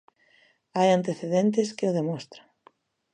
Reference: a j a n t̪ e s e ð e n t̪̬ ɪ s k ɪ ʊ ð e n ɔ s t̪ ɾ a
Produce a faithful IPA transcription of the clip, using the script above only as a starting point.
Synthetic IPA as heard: a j a n t̪ e θ e ð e n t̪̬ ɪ s k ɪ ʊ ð e m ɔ s t̪ ɾ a